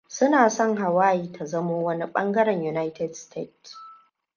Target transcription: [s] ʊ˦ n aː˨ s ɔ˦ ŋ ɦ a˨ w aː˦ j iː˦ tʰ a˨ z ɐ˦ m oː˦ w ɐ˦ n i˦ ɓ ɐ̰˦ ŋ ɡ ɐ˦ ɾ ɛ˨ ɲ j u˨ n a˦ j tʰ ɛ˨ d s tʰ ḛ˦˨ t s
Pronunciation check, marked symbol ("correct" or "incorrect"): correct